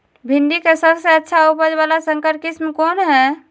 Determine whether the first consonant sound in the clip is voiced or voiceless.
voiced